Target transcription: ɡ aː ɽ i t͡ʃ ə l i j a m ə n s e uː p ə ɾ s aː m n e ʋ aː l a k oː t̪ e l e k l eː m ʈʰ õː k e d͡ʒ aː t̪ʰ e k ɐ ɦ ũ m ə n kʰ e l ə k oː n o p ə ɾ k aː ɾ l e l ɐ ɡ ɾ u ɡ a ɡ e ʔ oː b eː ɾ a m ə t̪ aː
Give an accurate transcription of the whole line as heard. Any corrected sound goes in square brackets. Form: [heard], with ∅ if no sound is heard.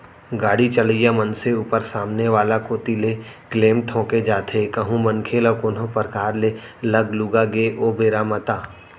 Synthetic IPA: ɡ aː ɽ i t͡ʃ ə l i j a m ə n s e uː p ə ɾ s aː m n e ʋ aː l a k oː t̪ [i] l e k l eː m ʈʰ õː k e d͡ʒ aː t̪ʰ e k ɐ ɦ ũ m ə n kʰ e l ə k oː n o p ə ɾ k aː ɾ l e l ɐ ɡ [l] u ɡ a ɡ e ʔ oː b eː ɾ a m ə t̪ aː